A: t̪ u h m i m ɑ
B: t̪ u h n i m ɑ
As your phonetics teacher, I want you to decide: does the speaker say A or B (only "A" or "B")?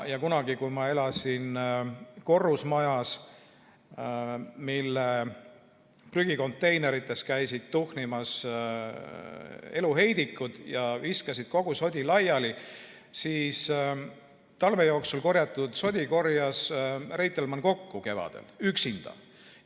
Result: B